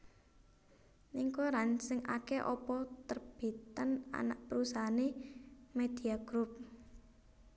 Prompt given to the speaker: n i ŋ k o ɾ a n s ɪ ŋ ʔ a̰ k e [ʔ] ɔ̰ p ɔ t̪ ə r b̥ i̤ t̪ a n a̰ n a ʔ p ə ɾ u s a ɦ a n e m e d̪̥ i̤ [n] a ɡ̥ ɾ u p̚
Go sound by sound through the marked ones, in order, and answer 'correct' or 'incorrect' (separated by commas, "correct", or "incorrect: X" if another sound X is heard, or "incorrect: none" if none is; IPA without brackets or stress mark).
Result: correct, incorrect: none